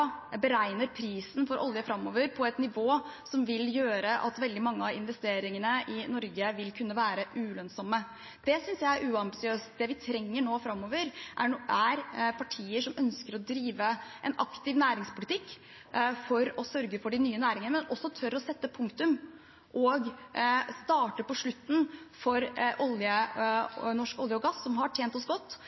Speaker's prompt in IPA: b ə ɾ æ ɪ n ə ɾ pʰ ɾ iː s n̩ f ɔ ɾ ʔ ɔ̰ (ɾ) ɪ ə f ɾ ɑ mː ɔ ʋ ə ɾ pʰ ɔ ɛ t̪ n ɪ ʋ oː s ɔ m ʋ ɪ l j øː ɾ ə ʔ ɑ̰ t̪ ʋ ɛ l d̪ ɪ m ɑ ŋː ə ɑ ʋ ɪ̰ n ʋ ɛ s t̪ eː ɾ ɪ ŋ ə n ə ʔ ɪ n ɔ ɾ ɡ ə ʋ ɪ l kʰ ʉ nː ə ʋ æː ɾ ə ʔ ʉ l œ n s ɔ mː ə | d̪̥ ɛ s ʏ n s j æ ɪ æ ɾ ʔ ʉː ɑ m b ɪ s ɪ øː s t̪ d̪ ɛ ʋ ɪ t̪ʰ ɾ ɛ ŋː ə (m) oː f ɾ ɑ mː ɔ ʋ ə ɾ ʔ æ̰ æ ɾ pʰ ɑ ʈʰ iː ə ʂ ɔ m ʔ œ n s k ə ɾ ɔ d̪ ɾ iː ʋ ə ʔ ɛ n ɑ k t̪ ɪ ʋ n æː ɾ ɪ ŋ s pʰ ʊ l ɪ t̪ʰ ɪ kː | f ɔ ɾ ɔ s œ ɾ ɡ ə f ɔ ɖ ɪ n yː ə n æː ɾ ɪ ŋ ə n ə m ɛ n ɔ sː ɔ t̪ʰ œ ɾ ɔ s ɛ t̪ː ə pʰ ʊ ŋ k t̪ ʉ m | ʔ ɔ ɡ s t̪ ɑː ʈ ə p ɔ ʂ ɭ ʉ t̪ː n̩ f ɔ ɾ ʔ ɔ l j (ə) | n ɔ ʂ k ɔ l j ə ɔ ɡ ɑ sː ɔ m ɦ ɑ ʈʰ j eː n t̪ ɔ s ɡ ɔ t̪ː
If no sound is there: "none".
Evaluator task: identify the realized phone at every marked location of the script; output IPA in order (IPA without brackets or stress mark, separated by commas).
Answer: l, ɳ, ə